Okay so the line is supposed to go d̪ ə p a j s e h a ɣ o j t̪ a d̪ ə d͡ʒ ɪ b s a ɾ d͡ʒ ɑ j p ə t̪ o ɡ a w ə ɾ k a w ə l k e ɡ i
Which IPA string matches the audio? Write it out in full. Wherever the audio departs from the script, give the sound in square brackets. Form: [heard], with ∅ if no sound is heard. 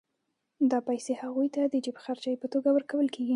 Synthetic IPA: d̪ [ɑ] p a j s e h a ɣ [u] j t̪ a d̪ ə d͡ʒ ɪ b [x] a ɾ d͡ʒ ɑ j p ə t̪ o ɡ a w ə ɾ k a w ə l k e ɡ i